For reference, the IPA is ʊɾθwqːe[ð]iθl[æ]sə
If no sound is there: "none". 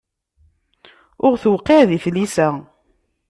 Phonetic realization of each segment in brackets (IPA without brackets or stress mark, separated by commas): ð, i